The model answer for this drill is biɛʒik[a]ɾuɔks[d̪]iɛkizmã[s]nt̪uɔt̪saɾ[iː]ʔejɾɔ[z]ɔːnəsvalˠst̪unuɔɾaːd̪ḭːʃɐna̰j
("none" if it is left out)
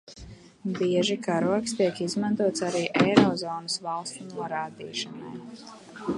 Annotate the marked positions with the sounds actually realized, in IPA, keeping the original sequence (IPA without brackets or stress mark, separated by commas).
a, t̪, none, iː, z